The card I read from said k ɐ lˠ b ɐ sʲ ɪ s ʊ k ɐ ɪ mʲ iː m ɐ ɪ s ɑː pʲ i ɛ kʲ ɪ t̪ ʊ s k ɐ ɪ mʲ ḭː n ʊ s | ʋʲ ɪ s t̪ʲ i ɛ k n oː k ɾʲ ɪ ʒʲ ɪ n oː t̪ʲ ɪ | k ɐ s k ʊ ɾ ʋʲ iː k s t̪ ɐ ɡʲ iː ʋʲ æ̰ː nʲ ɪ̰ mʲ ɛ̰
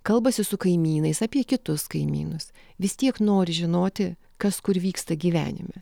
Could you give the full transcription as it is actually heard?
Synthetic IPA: k ɐ lˠ b ɐ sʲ ɪ s ʊ k ɐ ɪ mʲ iː n ɐ ɪ s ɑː pʲ i ɛ kʲ ɪ t̪ ʊ s k ɐ ɪ mʲ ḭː n ʊ s | ʋʲ ɪ s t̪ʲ i ɛ k n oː ɾʲ ɪ ʒʲ ɪ n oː t̪ʲ ɪ | k ɐ s k ʊ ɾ ʋʲ iː k s t̪ ɐ ɡʲ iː ʋʲ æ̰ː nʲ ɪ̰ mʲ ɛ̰